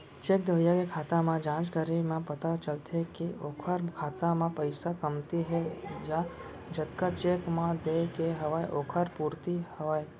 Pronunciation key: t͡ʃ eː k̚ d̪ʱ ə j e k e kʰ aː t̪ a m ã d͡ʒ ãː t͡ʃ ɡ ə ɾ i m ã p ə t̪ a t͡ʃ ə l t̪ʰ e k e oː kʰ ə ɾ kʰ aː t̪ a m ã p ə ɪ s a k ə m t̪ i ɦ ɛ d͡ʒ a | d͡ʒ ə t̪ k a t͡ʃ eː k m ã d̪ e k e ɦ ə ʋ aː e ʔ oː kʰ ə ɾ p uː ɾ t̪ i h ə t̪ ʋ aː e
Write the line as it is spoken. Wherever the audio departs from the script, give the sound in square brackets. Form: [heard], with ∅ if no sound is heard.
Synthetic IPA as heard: t͡ʃ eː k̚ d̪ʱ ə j [a] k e kʰ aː t̪ a m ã d͡ʒ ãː t͡ʃ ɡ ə ɾ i m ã p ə t̪ a t͡ʃ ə l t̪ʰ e k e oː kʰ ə ɾ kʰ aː t̪ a m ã p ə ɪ s a k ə m t̪ i ɦ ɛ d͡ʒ a | d͡ʒ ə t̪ k a t͡ʃ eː k m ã d̪ e k e ɦ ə ʋ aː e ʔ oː kʰ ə ɾ p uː ɾ t̪ i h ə [∅] ʋ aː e